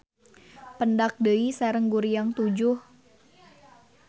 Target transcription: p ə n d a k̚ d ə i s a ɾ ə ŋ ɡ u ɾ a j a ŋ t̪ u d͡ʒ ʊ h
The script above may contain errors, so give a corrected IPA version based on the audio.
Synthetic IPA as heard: p ə n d a k̚ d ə i s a ɾ ə ŋ ɡ u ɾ i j a ŋ t̪ u d͡ʒ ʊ h